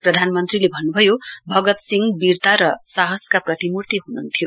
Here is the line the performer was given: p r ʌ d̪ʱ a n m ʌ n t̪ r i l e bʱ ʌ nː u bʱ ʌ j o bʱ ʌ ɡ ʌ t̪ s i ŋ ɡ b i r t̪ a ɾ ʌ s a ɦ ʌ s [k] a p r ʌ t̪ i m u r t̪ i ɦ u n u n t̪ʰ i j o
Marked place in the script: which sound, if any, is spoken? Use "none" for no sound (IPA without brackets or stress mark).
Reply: k